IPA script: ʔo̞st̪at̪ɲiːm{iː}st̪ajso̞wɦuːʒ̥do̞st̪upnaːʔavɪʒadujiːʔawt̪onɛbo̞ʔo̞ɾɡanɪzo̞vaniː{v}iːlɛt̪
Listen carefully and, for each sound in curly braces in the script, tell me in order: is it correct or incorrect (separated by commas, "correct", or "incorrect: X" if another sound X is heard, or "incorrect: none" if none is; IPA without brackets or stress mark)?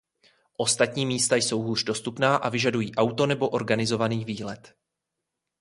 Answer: correct, correct